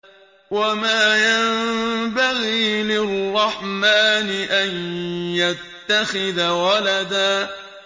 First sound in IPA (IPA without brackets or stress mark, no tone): w